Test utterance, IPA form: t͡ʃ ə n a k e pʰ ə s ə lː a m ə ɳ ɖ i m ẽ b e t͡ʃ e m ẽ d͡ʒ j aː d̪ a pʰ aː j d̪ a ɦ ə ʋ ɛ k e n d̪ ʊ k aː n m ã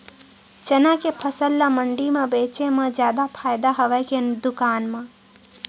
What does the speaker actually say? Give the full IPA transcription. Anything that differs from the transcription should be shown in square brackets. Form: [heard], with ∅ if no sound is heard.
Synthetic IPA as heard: t͡ʃ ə n a k e pʰ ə s ə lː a m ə ɳ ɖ i m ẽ b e t͡ʃ e m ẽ d͡ʒ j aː d̪ a pʰ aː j d̪ a ɦ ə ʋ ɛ k e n d̪ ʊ k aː n m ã